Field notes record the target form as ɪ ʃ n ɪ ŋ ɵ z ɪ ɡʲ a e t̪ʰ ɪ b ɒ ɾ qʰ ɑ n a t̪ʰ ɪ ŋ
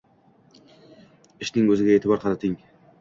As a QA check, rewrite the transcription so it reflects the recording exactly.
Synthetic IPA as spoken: ɪ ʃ n ɪ ŋ ɵ z ɪ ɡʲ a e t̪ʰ ɪ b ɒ ɾ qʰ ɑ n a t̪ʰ ɪ ŋ